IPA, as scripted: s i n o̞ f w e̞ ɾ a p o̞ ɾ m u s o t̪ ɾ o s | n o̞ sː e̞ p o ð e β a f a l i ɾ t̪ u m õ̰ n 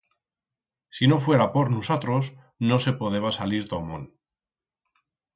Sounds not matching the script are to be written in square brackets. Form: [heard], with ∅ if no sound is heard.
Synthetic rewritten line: s i n o̞ f w e̞ ɾ a p o̞ ɾ [n] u s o t̪ ɾ o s | n o̞ [s] e̞ p o ð e β a [s] a l i ɾ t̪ [o] m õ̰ n

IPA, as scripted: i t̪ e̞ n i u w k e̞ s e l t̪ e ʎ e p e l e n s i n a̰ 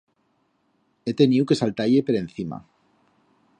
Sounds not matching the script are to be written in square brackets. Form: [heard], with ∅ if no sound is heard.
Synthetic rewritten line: [e] t̪ e̞ n i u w k e̞ s [a] l t̪ [a] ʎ e p e [ɾ] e n [θ] i [m] a̰

